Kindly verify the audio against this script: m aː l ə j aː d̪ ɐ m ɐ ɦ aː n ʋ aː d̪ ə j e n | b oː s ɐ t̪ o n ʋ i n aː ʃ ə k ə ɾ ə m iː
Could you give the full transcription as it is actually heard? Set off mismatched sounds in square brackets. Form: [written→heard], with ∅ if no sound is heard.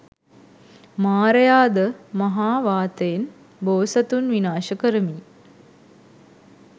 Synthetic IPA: m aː [l→ɾ] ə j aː d̪ [ɐ→ə] m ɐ ɦ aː [n→∅] ʋ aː [d̪→t̪] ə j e n | b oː s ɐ t̪ [o→u] n ʋ i n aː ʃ ə k ə ɾ ə m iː